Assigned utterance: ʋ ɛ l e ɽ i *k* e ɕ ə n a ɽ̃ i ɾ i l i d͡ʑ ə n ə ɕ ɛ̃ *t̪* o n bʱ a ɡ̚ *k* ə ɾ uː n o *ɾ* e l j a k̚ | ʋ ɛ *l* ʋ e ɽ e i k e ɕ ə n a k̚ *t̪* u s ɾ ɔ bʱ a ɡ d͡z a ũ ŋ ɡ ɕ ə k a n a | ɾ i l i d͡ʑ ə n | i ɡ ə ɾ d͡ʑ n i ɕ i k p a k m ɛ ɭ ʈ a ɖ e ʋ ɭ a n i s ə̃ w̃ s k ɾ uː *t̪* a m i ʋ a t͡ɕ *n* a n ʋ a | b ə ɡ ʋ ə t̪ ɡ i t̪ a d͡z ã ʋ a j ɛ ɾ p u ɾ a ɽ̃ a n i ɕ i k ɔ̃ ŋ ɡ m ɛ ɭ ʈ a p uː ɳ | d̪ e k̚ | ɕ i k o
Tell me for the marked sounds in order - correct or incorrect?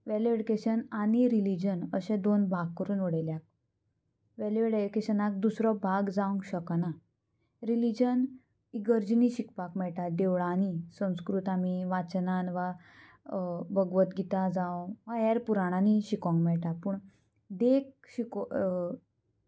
correct, incorrect: d̪, correct, incorrect: ɽ, correct, incorrect: d̪, correct, correct

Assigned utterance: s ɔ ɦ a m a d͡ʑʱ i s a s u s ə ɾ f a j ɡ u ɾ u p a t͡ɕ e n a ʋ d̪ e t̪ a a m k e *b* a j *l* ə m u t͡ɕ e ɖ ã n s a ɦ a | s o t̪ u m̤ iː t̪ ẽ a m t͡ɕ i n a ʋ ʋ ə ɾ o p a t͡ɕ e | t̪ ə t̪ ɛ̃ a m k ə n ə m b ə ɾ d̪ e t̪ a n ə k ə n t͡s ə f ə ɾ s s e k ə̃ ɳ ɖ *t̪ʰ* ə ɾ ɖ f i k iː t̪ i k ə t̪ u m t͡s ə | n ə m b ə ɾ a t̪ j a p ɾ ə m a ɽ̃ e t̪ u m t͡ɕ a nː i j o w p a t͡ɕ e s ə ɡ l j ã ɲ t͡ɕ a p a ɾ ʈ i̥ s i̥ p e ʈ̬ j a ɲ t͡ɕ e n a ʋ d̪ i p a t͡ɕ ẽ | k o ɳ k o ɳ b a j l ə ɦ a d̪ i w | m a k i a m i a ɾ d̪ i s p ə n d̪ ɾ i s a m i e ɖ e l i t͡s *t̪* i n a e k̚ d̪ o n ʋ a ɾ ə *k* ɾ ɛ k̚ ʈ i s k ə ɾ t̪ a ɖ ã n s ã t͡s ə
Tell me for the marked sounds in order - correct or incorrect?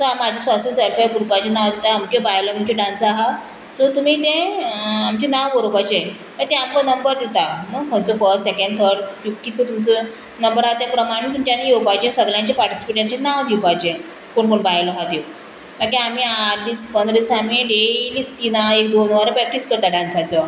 correct, correct, correct, correct, incorrect: p

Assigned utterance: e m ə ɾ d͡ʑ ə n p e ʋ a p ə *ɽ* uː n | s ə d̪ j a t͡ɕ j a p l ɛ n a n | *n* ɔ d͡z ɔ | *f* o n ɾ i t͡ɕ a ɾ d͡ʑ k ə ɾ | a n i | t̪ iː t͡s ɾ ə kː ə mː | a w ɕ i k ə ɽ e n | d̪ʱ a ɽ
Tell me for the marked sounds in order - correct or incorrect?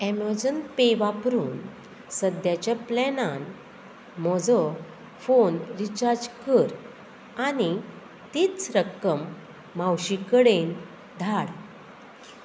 incorrect: ɾ, incorrect: m, correct

